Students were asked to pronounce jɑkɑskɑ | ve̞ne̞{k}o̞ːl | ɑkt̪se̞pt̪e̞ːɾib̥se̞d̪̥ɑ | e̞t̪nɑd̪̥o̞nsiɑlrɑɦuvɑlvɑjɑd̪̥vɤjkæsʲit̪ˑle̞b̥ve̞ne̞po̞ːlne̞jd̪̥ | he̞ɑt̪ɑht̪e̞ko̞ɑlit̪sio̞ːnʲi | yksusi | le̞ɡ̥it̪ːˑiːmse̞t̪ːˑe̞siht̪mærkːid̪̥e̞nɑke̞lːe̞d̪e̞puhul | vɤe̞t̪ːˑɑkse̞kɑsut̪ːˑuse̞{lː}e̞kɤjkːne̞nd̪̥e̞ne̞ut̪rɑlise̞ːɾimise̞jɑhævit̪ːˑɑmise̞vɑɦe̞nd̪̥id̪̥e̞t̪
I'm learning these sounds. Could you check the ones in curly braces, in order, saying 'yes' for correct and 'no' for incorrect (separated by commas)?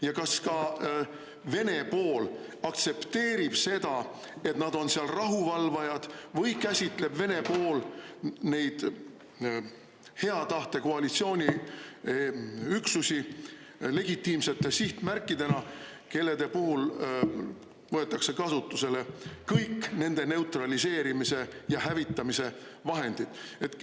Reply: no, no